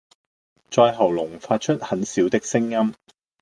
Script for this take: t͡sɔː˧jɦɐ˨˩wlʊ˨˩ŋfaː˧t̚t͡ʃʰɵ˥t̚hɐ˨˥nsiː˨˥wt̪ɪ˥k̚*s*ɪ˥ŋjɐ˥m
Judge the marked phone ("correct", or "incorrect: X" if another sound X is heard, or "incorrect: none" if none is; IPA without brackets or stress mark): correct